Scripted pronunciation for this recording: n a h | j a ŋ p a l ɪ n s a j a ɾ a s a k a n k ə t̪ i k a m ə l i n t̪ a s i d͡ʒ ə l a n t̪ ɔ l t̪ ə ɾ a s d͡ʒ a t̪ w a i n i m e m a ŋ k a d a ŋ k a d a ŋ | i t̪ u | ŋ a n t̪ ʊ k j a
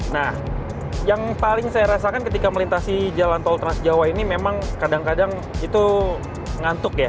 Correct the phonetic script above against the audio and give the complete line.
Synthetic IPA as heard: n a h | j a ŋ p a l ɪ ŋ s a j a ɾ a s a k a n k ə t̪ i k a m ə l i n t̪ a s i d͡ʒ a l a n t̪ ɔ l t̪ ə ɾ a s d͡ʒ a w a i n i m e m a ŋ k a d a ŋ k a d a ŋ | i t̪ u | ŋ a n t̪ ʊ k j a